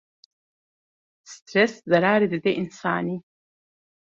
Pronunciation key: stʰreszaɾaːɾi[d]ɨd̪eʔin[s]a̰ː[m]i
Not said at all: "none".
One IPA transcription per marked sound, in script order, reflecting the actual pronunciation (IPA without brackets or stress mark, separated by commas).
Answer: d, s, n